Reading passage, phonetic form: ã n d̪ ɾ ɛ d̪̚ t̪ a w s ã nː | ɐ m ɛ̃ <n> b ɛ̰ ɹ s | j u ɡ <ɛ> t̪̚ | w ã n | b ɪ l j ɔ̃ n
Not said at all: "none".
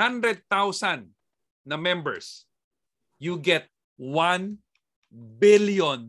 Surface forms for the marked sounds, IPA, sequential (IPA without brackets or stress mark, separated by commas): m, ɛ